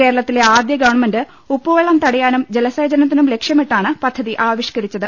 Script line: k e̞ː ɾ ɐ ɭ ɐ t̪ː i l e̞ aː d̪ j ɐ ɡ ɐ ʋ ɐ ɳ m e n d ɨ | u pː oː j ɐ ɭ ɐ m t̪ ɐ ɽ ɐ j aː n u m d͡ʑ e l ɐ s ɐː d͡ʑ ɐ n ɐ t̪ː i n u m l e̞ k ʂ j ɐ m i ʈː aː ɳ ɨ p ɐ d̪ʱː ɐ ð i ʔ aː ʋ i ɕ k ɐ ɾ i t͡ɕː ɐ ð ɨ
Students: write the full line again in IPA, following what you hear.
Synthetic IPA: k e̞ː ɾ ɐ ɭ ɐ t̪ː i l e̞ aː d̪ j ɐ ɡ ɐ ʋ ɐ ɳ m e n d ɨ | u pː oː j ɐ ɭ ɐ m t̪ ɐ ɽ ɐ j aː n u m d͡ʑ e l ɐ s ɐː d͡ʑ ɐ n ɐ t̪ː i n u m l e̞ k ʂ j ɐ m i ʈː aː ɳ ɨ p ɐ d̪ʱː ɐ ð i ʔ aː ʋ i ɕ k ɐ ɾ i t͡ɕː ɐ ð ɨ